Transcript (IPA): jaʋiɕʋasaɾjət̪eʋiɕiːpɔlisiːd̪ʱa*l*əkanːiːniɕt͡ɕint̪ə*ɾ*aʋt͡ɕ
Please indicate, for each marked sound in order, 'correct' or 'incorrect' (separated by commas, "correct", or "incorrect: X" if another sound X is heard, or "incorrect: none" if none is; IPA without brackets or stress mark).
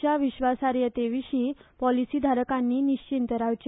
incorrect: ɾ, correct